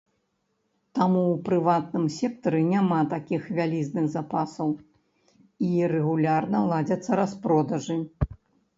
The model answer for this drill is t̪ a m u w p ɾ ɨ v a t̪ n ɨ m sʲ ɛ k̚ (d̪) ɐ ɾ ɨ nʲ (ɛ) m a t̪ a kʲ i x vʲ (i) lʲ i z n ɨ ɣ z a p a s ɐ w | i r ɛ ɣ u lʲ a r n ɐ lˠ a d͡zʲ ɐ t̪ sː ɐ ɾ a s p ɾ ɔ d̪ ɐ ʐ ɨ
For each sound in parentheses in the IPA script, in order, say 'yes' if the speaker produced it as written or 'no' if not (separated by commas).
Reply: no, no, no